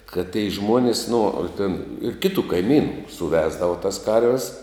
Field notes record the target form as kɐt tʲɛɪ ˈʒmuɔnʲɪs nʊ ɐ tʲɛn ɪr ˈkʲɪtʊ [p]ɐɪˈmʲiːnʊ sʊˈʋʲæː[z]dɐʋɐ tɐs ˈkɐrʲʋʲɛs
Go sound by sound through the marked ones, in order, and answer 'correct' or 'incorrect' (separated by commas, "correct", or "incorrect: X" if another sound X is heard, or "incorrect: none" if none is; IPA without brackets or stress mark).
incorrect: k, correct